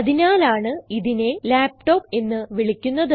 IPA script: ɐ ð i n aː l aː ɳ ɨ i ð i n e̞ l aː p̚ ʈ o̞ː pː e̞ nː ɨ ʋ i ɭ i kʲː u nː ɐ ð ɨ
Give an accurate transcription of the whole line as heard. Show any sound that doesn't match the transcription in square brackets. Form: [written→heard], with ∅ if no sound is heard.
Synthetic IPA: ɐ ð i n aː l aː ɳ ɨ i ð i n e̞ l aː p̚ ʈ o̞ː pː e̞ nː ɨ ʋ i ɭ i kʲː u nː ɐ ð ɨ